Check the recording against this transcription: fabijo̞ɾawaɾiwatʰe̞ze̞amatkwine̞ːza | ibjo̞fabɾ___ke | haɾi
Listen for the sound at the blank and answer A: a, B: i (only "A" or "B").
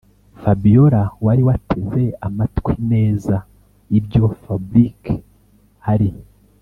B